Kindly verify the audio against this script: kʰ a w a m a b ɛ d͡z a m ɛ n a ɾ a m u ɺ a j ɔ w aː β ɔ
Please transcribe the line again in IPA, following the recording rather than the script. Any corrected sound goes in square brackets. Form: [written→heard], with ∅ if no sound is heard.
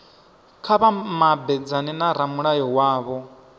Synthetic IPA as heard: kʰ a [w→β] a m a b ɛ d͡z a [m→n] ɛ n a ɾ a m u ɺ a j ɔ w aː β ɔ